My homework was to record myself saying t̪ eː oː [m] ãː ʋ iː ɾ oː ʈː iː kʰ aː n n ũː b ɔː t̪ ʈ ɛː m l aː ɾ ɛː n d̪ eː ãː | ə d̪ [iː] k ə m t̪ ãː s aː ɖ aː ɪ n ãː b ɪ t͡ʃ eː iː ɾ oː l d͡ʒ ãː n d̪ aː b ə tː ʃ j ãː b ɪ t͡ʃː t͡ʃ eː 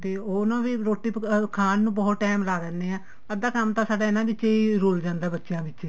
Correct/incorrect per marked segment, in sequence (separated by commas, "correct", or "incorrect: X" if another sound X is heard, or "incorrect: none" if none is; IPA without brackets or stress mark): incorrect: n, incorrect: aː